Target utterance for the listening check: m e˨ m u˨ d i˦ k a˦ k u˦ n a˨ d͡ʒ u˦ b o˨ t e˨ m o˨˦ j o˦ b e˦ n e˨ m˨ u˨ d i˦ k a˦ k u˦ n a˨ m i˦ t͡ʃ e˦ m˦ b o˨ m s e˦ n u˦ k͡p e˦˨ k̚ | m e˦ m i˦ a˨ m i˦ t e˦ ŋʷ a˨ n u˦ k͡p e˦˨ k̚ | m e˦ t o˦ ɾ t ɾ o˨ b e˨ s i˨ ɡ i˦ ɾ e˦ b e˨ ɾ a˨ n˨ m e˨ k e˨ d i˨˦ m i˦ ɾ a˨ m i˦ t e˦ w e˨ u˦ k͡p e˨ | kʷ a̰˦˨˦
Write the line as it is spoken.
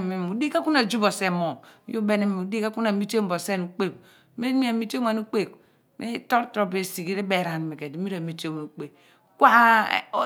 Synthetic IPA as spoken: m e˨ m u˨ d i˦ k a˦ k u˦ n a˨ d͡ʒ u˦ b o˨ s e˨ m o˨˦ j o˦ b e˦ n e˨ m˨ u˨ d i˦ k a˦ k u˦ n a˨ m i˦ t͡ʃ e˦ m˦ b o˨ s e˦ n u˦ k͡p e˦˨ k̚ | m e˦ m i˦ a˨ m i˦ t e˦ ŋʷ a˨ n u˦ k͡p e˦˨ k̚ | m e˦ t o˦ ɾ t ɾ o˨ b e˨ s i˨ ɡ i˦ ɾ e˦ b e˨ ɾ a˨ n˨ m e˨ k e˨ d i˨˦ m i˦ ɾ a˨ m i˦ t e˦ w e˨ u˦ k͡p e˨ | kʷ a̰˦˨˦